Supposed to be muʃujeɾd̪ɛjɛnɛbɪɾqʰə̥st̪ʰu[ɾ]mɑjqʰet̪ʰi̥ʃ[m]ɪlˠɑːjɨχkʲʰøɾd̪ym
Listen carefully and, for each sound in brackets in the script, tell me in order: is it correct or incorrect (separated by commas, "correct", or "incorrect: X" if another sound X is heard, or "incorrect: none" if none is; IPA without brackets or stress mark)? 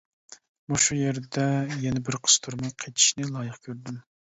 correct, incorrect: n